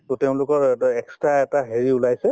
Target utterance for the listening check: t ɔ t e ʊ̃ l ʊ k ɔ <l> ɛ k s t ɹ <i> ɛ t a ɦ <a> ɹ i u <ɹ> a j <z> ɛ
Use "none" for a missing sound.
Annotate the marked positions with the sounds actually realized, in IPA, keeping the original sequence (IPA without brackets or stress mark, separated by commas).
ɹ, a, e, l, s